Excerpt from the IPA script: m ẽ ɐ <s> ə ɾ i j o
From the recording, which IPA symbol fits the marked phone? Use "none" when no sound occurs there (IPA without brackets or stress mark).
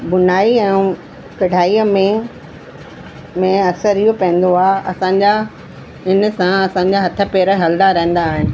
s